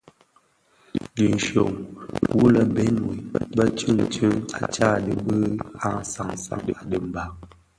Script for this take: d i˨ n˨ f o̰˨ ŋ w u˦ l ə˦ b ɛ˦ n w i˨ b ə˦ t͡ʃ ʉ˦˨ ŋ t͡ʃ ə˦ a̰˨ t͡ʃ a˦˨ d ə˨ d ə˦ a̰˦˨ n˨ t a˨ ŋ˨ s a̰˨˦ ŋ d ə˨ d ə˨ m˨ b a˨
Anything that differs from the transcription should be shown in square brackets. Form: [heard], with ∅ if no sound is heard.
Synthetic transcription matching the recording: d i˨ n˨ [ʃ] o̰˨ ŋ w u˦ l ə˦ b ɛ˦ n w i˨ b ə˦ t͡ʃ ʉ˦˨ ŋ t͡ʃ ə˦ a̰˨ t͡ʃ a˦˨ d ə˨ [b] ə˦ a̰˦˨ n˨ [s] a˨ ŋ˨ s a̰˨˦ ŋ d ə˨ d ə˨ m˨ b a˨